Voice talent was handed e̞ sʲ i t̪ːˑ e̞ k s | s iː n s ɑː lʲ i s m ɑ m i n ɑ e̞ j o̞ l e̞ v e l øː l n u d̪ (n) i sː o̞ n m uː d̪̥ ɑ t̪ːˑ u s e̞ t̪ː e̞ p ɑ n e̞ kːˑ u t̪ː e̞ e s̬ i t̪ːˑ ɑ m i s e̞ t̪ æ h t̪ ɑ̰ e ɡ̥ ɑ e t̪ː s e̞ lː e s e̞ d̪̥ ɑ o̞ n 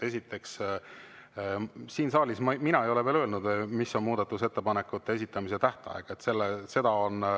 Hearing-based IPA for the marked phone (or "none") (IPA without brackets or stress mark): m